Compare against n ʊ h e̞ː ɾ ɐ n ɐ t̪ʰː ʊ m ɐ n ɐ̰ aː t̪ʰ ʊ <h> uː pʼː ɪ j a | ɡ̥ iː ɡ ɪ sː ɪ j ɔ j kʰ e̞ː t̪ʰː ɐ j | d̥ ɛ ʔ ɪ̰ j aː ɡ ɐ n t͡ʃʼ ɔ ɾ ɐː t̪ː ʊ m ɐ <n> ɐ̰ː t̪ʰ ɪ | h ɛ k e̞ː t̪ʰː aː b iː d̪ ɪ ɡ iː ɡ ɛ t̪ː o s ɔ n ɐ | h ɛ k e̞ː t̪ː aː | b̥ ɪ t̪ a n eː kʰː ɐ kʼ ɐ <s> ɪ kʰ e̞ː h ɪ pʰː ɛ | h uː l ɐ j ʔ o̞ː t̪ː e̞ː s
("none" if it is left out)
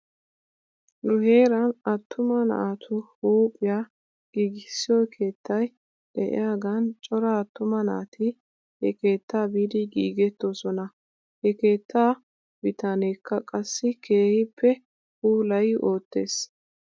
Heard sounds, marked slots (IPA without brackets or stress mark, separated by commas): h, n, sː